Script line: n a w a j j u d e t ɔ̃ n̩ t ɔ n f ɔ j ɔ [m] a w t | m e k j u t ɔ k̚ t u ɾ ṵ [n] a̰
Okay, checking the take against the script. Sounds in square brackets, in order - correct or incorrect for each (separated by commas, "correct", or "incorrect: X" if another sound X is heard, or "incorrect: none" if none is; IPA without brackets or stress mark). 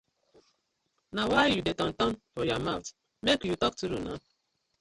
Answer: correct, correct